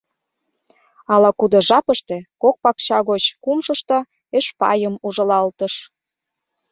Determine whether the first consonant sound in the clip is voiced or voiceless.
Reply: voiced